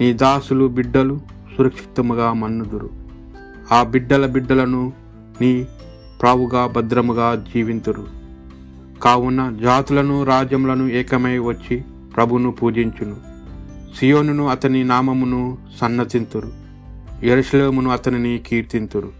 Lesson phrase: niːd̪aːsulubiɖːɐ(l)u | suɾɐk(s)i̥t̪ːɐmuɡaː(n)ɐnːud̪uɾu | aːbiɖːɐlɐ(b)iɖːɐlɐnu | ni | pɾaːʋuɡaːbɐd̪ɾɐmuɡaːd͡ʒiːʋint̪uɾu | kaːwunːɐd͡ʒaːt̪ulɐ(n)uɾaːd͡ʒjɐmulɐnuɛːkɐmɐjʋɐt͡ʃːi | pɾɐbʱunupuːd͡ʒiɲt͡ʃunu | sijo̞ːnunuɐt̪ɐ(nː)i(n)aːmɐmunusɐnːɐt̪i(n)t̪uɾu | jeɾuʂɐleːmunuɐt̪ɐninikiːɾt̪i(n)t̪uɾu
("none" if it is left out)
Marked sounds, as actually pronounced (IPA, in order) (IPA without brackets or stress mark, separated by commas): l, ʂ, m, b, n, n, n, n, n